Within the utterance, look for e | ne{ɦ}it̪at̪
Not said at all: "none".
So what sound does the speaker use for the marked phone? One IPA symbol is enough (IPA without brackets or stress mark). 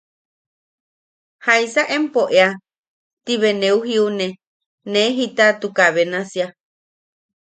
ɦ